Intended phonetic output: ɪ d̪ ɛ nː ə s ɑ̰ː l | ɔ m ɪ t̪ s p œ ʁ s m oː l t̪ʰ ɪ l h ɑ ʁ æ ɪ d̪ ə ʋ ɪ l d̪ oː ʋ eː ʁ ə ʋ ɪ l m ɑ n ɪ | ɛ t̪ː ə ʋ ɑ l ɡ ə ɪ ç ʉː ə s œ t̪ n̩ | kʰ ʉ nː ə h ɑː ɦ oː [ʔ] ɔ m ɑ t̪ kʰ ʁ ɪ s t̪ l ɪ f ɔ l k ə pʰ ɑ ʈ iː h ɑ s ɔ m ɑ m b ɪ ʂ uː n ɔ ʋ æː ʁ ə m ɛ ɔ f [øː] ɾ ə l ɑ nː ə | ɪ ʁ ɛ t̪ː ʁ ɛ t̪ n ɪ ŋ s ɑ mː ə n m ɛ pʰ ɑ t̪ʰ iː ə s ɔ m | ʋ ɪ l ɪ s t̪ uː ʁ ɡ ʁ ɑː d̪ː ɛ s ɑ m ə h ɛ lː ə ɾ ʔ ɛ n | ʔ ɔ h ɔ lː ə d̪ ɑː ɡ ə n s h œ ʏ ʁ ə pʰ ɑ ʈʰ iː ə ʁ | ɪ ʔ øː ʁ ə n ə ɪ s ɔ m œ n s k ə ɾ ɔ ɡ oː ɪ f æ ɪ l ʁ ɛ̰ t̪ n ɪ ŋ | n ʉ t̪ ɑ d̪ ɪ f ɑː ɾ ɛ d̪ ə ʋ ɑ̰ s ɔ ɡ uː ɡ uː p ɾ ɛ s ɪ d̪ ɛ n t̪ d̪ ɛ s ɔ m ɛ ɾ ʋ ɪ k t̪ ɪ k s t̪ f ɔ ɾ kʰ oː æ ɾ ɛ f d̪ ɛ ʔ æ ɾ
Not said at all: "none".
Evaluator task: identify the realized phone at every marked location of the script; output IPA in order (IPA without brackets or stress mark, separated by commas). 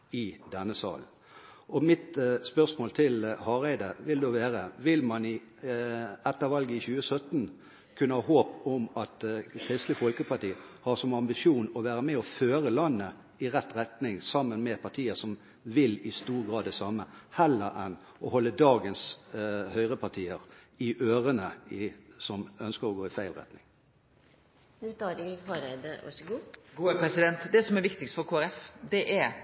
p, øː